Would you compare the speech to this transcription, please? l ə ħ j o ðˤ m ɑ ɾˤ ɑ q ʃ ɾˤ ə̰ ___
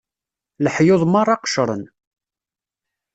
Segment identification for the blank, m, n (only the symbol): n